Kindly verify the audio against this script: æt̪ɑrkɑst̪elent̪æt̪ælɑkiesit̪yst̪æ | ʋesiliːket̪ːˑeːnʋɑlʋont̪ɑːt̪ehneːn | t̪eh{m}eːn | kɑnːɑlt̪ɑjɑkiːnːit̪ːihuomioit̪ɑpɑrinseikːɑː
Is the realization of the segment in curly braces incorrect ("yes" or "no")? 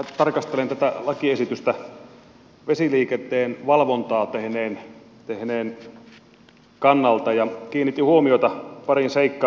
yes